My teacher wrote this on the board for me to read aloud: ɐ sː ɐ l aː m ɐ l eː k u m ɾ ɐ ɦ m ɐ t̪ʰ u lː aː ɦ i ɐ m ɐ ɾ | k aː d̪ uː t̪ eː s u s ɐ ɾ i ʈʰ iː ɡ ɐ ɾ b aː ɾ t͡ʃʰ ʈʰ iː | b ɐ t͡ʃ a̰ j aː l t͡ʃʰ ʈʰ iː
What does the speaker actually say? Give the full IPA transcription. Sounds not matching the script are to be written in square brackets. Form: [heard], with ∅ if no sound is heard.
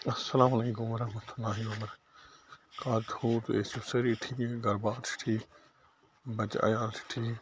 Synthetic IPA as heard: ɐ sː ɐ l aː m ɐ l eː k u m ɾ ɐ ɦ m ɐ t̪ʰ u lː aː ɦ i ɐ m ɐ ɾ | k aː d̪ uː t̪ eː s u s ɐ ɾ i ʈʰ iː ɡ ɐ ɾ b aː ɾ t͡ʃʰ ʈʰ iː | b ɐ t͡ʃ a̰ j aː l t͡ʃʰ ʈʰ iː